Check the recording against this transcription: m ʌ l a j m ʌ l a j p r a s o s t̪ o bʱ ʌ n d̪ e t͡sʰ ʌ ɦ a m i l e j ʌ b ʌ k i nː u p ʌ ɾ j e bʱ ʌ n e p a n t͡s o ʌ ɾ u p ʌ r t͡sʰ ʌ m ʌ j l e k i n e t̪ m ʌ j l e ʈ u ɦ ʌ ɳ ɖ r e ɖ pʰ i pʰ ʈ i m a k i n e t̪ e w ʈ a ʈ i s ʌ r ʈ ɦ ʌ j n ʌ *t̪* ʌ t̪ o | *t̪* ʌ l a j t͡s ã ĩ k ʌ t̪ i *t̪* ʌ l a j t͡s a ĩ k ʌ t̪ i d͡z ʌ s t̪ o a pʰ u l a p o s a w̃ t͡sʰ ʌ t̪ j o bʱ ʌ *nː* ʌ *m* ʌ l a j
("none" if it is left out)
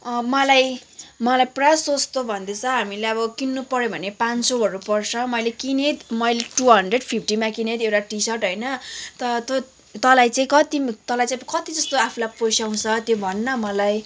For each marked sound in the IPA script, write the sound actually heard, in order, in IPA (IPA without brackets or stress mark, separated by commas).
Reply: t̪, t̪, t̪, nː, m